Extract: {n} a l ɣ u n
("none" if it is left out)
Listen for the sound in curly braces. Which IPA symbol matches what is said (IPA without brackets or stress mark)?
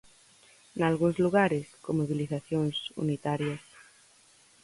n